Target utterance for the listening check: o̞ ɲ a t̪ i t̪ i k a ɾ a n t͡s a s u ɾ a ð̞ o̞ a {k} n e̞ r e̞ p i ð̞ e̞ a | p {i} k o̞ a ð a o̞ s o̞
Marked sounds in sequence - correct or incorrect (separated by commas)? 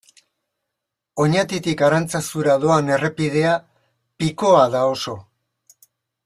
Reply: incorrect, correct